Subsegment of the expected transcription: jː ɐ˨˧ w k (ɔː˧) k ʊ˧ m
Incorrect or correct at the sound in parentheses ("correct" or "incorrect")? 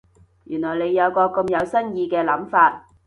correct